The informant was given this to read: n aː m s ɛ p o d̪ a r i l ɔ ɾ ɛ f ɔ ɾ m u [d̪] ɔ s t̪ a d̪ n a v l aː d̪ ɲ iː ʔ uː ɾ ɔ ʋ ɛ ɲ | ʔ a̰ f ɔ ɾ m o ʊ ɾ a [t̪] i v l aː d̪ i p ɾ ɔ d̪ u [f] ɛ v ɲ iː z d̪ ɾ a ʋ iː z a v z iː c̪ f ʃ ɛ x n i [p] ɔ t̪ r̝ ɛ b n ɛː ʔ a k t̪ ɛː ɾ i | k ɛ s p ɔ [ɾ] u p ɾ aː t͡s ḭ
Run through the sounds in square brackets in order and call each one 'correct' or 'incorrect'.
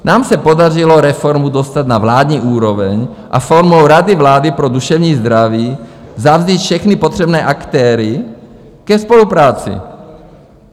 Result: correct, incorrect: d̪, incorrect: ʃ, correct, incorrect: l

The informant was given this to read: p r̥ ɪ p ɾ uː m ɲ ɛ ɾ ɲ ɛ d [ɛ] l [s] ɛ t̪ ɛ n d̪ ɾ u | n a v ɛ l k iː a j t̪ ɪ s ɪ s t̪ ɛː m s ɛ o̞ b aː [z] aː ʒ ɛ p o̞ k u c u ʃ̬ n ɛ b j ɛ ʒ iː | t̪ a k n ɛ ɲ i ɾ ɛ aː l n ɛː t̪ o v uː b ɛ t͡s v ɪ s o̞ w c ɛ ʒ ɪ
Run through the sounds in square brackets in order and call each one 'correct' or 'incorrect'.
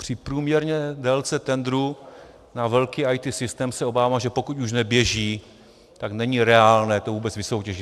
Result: correct, incorrect: t͡s, incorrect: v

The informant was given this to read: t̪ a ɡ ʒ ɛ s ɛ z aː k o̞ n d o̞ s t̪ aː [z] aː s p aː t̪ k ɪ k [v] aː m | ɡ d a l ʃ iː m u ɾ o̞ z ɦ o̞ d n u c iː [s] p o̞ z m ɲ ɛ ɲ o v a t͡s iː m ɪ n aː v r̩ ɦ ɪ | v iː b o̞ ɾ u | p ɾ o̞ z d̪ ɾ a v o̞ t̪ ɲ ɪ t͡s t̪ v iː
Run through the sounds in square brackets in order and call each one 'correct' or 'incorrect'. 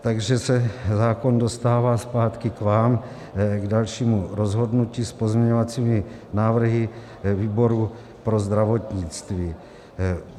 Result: incorrect: v, correct, correct

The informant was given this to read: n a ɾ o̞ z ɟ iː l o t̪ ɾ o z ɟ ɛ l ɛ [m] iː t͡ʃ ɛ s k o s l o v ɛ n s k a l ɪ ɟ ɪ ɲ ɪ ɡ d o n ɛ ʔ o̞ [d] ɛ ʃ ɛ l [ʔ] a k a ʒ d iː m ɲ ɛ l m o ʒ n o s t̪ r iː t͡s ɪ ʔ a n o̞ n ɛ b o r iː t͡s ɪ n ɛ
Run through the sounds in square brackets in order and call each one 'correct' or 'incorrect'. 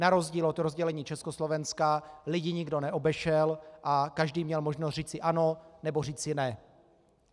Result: incorrect: ɲ, incorrect: b, correct

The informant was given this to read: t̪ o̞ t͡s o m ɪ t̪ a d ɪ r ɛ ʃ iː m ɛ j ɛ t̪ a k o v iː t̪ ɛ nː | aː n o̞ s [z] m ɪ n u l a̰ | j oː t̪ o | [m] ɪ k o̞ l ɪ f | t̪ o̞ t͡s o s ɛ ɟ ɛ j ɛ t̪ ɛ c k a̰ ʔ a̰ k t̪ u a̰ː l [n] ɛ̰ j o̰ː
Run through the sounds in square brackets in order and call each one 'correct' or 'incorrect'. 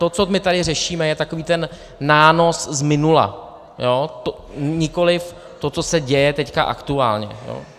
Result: correct, incorrect: ɲ, incorrect: ɲ

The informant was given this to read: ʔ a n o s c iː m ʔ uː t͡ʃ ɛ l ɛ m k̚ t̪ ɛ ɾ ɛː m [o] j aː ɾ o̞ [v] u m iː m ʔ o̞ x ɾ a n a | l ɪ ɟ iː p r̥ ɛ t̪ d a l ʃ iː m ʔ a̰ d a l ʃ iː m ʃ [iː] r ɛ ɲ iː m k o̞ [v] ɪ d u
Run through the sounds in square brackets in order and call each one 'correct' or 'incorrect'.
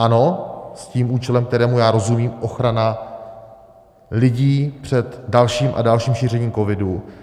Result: incorrect: u, incorrect: z, correct, correct

